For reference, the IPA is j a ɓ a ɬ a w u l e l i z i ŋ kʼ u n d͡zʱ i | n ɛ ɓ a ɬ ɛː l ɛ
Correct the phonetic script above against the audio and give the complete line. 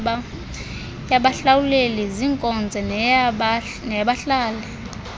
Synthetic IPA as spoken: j a ɓ a ɬ a w u l e l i z i ŋ kʼ ɔ n d͡zʱ ɛ | n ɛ ɓ a ɬ aː l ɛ